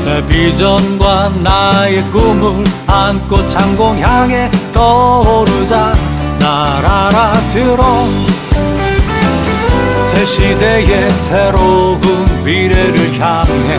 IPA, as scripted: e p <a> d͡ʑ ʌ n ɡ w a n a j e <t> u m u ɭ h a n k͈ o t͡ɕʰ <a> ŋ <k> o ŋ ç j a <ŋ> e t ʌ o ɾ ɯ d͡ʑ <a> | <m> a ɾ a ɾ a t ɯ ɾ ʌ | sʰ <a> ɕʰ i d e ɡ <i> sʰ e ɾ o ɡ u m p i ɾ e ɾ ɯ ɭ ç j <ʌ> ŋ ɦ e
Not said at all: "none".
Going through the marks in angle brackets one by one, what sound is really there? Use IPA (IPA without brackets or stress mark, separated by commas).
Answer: i, k, a, ɡ, ŋ, a, n, e, e, a